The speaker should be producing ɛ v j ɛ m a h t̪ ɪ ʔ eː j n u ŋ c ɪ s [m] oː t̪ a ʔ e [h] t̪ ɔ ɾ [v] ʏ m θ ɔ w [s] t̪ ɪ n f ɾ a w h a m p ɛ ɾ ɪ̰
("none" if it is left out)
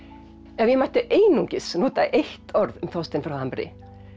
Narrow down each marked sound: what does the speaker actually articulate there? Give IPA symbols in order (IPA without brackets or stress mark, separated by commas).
n, h, ð, s